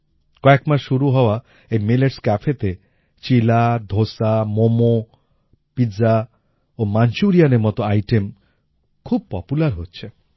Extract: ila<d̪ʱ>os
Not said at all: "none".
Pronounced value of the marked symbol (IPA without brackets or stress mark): d̪ʱ